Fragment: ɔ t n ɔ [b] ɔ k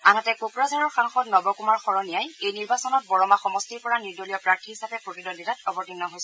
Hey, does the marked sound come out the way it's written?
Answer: yes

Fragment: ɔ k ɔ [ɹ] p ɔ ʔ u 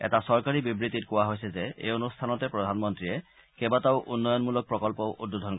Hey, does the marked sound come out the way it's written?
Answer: no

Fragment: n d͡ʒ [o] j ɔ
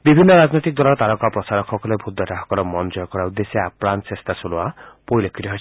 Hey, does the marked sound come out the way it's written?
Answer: no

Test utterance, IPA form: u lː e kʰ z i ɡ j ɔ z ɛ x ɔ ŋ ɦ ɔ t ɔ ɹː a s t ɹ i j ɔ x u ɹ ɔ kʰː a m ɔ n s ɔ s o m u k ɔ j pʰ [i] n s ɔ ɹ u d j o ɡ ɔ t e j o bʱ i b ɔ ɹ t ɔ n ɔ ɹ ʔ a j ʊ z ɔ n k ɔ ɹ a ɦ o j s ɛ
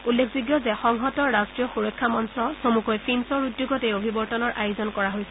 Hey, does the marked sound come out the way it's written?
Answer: yes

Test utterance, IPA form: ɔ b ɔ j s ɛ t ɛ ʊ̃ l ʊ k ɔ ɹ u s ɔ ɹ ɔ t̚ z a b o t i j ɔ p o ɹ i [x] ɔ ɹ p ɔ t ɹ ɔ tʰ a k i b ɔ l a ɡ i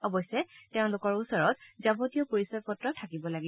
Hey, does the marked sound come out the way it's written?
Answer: no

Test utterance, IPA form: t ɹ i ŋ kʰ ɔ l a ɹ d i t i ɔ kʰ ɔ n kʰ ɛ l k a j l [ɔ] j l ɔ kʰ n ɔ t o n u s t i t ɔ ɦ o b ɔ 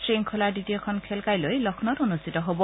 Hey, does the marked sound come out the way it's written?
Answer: no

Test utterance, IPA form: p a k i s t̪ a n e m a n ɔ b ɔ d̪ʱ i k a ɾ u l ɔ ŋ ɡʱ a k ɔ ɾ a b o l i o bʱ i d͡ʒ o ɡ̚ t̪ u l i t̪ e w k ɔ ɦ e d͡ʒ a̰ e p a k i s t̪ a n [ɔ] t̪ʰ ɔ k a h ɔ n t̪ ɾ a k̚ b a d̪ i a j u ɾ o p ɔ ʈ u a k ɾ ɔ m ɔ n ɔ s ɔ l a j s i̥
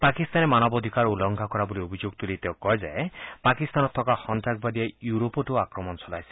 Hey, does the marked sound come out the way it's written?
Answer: yes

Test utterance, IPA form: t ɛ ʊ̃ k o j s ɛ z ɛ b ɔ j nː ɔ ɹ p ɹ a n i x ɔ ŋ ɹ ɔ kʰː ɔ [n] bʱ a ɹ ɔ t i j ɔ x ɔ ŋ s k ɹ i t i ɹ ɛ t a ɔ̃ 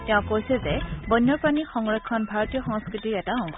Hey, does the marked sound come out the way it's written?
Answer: yes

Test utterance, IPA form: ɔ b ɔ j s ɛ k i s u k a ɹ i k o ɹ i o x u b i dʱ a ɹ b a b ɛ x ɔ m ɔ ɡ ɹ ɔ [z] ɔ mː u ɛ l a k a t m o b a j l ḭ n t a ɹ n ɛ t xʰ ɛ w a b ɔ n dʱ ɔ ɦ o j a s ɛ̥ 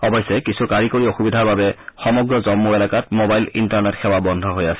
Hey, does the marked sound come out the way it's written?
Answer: yes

